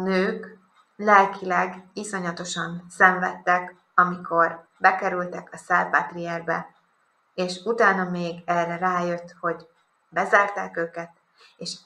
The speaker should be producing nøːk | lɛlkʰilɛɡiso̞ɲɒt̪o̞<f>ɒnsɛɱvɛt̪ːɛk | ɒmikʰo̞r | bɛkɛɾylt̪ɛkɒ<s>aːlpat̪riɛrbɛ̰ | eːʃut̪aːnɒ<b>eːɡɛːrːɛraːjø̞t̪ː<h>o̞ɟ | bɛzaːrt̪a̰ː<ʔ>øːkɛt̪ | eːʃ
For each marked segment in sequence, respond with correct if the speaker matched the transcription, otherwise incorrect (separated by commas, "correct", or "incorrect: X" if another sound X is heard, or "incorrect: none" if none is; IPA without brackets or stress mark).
incorrect: ʃ, correct, incorrect: m, correct, incorrect: k